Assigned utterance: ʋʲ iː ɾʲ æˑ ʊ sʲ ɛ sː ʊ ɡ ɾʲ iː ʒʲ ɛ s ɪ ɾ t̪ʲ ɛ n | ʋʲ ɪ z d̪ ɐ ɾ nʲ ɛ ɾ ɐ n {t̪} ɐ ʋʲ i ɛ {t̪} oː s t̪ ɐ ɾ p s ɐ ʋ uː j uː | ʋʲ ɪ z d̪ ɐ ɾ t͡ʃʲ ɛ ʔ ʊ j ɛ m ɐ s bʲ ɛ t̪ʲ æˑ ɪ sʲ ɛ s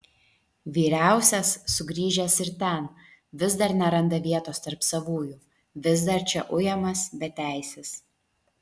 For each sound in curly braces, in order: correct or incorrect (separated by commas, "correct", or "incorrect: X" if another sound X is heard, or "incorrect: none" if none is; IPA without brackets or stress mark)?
incorrect: d̪, correct